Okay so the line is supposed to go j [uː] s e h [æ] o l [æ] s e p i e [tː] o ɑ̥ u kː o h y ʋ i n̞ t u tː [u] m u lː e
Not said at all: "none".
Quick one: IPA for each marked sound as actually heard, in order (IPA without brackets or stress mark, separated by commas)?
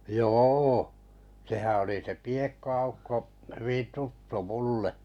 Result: oː, æ, i, kː, u